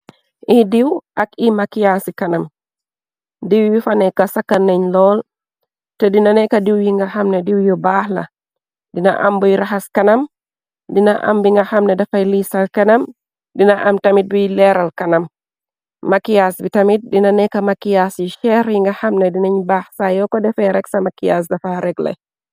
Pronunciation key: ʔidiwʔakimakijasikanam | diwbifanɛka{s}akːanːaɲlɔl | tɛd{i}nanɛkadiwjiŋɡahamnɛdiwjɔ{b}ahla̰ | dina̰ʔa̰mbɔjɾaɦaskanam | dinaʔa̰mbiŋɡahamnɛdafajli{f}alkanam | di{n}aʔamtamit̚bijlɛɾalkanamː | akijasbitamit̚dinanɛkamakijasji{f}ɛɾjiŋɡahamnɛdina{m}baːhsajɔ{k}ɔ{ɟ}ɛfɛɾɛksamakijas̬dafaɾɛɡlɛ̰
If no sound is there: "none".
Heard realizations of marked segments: s, i, b, s, n, ʃ, ɲ, k, d

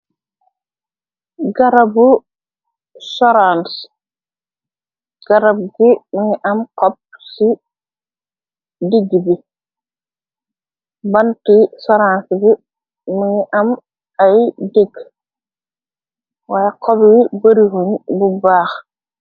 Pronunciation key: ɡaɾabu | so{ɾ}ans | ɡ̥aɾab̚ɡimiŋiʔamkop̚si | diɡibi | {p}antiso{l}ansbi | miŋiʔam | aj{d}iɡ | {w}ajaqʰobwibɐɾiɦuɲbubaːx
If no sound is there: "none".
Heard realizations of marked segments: ɾ, b, ɾ, d, w

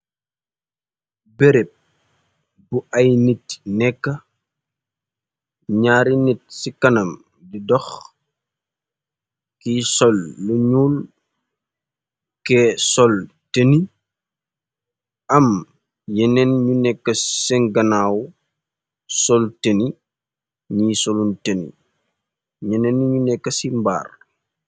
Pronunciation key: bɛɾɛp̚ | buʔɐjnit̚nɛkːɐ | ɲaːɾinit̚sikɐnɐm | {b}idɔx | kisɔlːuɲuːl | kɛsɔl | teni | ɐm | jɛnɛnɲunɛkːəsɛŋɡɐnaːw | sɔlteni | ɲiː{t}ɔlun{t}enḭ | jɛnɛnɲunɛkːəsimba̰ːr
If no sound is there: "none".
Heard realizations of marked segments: d, s, t

